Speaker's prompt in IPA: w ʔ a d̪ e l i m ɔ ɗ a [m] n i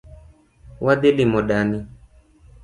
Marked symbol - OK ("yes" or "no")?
no